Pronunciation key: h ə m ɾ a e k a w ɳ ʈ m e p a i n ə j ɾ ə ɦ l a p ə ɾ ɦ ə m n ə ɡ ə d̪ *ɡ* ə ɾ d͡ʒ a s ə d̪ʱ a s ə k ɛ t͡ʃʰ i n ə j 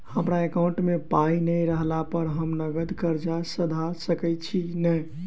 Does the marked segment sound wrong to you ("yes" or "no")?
yes